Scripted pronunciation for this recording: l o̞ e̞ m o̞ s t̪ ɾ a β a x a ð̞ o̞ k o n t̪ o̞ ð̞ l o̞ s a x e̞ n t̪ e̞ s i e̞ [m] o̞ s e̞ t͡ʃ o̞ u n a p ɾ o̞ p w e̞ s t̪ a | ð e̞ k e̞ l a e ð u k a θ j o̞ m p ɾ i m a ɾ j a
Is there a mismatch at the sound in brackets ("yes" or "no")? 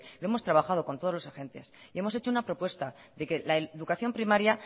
no